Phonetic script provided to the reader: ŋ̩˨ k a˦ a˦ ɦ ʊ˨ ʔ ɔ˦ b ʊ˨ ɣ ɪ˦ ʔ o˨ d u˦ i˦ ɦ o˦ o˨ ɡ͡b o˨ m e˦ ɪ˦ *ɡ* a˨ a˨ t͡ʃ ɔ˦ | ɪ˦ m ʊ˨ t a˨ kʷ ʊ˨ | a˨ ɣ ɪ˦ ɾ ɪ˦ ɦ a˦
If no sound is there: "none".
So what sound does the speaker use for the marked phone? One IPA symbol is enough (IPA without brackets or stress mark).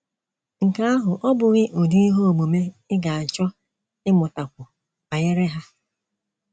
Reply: ɡ